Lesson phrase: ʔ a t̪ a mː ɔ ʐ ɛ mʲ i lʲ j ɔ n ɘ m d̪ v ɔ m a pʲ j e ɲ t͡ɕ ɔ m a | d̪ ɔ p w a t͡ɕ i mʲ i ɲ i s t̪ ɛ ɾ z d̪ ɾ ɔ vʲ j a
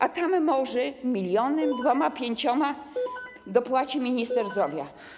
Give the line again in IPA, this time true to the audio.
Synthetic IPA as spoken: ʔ a t̪ a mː ɔ ʐ ɛ mʲ i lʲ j ɔ n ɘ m d̪ v ɔ m a pʲ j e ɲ t͡ɕ ɔ m a | d̪ ɔ p w a t͡ɕ i mʲ i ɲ i s t̪ ɛ ɾ z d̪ ɾ ɔ vʲ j a